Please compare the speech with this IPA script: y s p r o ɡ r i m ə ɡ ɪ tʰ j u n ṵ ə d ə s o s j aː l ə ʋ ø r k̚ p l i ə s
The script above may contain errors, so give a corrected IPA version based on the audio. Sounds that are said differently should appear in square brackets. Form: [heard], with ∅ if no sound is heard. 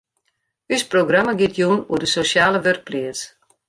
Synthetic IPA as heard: y s p r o ɡ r [a] m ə ɡ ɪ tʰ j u n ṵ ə d ə s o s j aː l ə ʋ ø r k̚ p l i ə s

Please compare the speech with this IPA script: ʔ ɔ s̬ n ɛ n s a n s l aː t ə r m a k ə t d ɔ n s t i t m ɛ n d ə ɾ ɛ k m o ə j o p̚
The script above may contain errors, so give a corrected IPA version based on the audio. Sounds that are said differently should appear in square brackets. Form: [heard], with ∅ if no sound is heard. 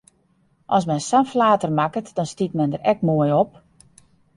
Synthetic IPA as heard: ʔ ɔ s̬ [m] ɛ n s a n [f] l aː t ə r m a k ə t d ɔ n s t i t m ɛ n d ə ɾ ɛ k m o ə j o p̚

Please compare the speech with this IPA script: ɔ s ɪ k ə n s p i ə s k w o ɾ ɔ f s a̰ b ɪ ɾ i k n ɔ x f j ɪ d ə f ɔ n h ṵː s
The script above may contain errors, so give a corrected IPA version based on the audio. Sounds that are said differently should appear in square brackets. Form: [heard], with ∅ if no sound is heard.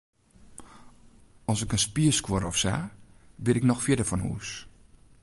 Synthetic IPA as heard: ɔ s ɪ k ə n s p i ə s k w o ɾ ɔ f s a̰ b ɪ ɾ [ɪ] k n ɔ x f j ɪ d ə f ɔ n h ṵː s

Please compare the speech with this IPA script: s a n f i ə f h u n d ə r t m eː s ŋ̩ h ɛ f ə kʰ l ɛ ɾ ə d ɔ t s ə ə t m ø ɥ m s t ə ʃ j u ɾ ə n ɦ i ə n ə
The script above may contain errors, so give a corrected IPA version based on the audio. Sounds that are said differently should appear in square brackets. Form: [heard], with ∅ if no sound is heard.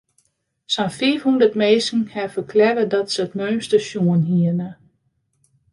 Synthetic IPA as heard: s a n f i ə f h u n d ə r t m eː s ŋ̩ h ɛ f ə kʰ l ɛ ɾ ə d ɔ t s ə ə t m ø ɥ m s t ə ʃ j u [∅] ə n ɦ i ə n ə

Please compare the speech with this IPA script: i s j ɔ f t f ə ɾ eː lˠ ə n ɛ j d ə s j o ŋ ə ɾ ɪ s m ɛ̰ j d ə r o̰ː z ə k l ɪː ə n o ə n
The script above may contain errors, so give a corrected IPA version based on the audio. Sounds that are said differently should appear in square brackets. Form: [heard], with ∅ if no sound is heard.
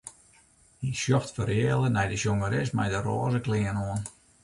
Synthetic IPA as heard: i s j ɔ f t f ə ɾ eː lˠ ə n ɛ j d ə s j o ŋ ə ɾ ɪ s m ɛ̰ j d ə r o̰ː z ə k l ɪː ə n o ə n

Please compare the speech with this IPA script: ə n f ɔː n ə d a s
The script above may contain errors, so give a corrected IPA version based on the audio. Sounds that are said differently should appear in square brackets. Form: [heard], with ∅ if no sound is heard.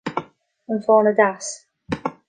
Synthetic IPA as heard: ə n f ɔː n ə d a s

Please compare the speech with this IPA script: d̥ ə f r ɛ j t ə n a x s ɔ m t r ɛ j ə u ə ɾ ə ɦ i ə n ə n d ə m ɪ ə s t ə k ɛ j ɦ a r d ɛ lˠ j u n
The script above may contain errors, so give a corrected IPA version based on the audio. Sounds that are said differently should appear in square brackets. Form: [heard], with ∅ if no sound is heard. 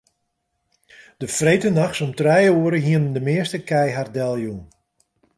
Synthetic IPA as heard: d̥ ə f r [e] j t ə n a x s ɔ m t r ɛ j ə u ə ɾ ə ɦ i ə n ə n d ə m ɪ ə s t ə k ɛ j ɦ a r d ɛ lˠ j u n

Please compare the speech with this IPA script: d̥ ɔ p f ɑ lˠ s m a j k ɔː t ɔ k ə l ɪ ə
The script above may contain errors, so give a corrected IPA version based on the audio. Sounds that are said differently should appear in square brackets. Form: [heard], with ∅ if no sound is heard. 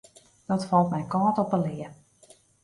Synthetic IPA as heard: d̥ ɔ [t] f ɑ lˠ [t] m [ɛ] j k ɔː t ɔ [p] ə l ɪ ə

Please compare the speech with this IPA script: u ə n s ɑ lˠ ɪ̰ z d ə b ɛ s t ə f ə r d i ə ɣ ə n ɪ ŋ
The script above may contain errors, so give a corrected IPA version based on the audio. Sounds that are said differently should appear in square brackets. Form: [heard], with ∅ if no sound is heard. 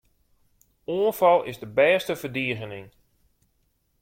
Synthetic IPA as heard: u ə n [f] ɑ lˠ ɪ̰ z d ə b [ɛː] s t ə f ə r d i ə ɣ ə n ɪ ŋ

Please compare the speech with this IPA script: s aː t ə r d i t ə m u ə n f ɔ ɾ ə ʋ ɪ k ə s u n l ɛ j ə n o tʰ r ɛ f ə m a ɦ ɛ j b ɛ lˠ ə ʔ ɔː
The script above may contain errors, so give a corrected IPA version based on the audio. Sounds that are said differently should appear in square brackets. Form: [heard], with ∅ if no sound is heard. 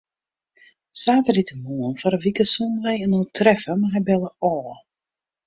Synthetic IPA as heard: s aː t ə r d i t ə m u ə n f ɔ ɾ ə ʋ [i] k ə s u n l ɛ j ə n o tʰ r ɛ f ə m a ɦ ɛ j b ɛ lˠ ə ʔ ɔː

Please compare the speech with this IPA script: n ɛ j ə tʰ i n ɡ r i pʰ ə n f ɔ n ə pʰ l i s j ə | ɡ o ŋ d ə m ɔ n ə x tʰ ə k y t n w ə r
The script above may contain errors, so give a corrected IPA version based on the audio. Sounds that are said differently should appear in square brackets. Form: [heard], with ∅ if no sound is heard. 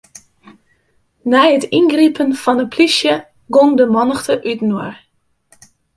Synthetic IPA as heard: n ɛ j ə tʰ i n ɡ r i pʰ ə n f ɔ n ə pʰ l i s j ə | ɡ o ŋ d ə m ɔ n ə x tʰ ə [ʔ] y t n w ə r

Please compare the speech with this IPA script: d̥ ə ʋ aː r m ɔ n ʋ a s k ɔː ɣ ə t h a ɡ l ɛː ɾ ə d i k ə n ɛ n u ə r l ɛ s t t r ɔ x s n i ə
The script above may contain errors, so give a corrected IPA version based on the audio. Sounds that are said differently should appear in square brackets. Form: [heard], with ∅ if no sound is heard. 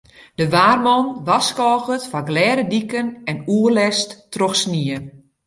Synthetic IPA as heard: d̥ ə ʋ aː r m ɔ n ʋ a s k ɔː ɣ ə t [f] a ɡ l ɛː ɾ ə d i k ə n ɛ n u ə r l ɛ s t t r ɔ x s n i ə

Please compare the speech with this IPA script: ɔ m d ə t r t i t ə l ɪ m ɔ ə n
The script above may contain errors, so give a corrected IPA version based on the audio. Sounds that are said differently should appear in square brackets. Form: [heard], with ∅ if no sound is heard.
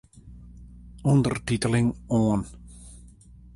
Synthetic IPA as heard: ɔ [n] d ə [∅] r t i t ə l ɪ [ŋ] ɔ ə n

